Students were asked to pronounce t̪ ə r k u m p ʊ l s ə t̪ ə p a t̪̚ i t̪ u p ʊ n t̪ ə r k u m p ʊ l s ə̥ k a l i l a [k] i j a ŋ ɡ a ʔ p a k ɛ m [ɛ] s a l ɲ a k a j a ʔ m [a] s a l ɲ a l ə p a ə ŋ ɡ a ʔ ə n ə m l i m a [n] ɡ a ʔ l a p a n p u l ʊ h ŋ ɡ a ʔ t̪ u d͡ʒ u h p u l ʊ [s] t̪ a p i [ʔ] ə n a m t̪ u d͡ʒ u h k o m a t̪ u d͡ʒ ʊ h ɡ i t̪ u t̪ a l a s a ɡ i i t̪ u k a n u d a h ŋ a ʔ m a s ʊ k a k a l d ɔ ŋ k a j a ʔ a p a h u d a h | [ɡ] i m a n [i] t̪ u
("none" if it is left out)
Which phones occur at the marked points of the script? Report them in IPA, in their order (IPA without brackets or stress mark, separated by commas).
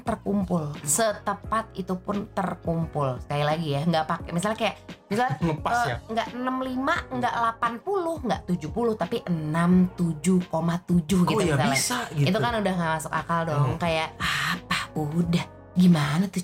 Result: ɡ, i, i, ŋ, h, ʔ, ɡ, a